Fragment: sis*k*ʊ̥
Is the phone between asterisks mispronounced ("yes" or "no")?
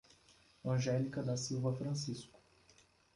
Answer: no